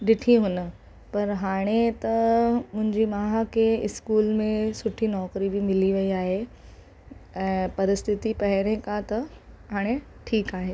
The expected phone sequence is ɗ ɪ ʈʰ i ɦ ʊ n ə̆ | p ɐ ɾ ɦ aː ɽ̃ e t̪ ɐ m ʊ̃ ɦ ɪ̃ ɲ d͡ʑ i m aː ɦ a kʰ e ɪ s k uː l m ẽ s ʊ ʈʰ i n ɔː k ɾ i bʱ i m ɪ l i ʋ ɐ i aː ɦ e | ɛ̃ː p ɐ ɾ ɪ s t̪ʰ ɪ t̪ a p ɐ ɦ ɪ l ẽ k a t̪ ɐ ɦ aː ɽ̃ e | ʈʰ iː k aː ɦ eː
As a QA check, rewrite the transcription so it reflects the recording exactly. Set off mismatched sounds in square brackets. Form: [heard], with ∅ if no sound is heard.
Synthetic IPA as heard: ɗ ɪ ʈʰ i ɦ ʊ n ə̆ | p ɐ ɾ ɦ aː ɽ̃ e t̪ ɐ m ʊ̃ ɦ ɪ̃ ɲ d͡ʑ i m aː ɦ a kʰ e ɪ s k uː l m ẽ s ʊ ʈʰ i n ɔː k ɾ i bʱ i m ɪ l i ʋ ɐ i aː ɦ e | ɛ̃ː p ɐ ɾ ɪ s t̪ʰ ɪ t̪ [i] p ɐ ɦ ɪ [ɾ] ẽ k a t̪ ɐ ɦ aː ɽ̃ e | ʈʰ iː k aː ɦ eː